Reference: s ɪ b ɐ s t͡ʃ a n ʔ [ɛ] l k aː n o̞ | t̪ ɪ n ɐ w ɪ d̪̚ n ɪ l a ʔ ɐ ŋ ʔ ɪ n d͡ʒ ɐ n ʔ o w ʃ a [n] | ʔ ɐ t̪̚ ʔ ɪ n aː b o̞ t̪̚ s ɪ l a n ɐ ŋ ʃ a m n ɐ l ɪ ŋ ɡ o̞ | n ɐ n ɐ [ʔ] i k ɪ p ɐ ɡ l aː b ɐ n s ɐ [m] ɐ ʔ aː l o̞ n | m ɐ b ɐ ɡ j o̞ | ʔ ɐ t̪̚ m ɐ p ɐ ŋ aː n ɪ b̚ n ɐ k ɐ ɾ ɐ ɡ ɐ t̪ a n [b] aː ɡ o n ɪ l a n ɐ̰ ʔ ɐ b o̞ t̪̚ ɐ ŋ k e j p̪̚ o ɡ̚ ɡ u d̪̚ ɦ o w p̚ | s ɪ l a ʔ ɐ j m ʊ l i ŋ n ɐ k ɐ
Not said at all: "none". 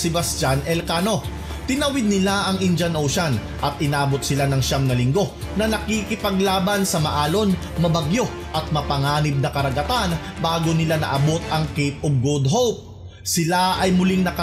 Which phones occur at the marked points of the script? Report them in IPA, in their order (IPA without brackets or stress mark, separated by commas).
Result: ɛ, n, k, m, b